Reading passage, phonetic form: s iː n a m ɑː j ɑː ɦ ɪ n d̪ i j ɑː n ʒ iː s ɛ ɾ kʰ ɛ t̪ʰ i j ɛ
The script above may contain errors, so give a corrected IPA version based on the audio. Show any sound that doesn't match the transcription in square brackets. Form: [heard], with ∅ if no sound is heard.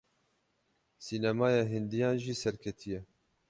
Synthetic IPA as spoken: s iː n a m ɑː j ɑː ɦ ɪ n d̪ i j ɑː n ʒ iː s ɛ ɾ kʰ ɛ t̪ʰ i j ɛ